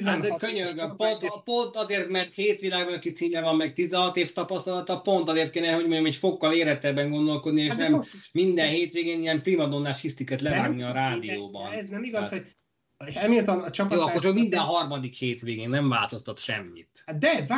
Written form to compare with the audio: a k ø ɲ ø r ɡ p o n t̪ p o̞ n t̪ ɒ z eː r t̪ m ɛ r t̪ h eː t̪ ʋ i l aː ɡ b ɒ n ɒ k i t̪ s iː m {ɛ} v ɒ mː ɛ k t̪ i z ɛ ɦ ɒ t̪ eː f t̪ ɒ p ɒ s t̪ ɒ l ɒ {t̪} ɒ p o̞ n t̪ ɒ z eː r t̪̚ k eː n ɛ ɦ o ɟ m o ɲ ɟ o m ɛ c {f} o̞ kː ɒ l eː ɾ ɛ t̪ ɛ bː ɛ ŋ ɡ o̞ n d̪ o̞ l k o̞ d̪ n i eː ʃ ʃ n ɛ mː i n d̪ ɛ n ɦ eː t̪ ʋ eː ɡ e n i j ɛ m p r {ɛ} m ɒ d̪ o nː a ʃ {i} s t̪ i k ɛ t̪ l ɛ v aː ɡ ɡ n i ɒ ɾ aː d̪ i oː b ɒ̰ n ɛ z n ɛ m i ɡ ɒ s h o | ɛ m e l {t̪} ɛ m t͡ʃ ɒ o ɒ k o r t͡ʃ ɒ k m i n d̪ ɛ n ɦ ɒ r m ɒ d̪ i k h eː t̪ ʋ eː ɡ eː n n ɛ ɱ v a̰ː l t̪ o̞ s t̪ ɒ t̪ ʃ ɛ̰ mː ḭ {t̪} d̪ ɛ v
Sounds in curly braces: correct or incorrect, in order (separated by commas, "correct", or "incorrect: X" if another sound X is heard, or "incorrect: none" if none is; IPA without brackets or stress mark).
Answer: correct, correct, correct, incorrect: i, correct, correct, correct